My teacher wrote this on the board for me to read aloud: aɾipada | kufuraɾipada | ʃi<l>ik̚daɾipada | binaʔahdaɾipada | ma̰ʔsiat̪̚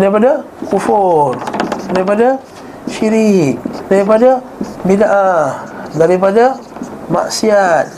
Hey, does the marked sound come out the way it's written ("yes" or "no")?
no